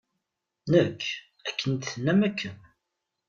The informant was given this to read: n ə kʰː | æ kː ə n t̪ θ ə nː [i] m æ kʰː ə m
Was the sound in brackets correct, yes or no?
no